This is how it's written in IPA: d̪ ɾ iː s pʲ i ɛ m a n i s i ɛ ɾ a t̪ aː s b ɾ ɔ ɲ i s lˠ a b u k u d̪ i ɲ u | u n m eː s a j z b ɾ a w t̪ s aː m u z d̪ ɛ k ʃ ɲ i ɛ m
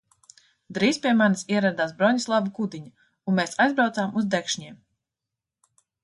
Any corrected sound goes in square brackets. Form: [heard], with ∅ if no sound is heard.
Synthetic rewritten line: d̪ ɾ iː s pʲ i ɛ m a n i s i ɛ ɾ a [d̪] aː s b ɾ ɔ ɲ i s lˠ a b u k u d̪ i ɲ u | u n m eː s a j z b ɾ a w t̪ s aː m u z d̪ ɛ k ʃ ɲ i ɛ m